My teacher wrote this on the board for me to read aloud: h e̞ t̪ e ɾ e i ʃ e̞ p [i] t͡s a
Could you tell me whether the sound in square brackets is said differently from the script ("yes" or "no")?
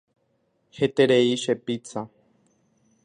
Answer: no